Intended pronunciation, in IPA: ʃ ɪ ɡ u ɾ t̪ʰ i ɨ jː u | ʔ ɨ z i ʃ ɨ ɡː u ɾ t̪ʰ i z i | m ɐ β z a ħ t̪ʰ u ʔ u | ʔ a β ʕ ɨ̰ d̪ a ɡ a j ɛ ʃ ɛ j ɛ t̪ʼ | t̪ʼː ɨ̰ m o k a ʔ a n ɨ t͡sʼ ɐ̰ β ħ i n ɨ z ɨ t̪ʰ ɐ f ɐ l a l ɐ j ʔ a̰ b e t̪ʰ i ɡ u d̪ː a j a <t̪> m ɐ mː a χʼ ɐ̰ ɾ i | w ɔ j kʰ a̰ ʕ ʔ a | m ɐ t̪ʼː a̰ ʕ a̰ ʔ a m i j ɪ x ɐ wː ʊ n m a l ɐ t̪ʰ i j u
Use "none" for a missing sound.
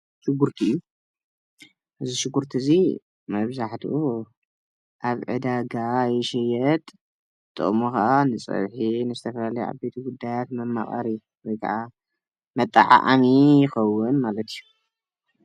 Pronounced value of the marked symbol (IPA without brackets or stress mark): t̪